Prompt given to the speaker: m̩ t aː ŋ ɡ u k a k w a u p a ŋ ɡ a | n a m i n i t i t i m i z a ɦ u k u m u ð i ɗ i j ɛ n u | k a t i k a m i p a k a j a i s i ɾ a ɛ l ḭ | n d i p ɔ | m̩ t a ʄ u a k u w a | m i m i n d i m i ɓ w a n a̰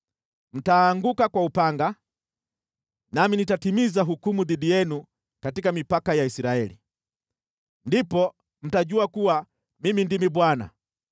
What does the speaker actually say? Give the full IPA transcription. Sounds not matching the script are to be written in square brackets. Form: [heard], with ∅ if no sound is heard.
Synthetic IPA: m̩ t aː ŋ ɡ u k a k w a u p a ŋ ɡ a | n a m i n i t [a] t i m i z a ɦ u k u m u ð i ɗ i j ɛ n u | k a t i k a m i p a k a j a i s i ɾ a ɛ l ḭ | n d i p ɔ | m̩ t a ʄ u a k u w a | m i m i n d i m i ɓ w a n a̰